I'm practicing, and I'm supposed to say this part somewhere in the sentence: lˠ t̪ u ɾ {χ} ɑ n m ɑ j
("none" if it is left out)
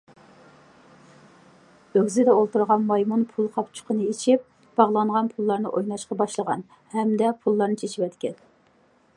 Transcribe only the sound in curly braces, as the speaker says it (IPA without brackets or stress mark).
ʁ